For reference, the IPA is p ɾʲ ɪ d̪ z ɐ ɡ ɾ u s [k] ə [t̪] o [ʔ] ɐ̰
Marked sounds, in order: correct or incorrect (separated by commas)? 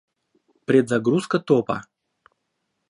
correct, correct, incorrect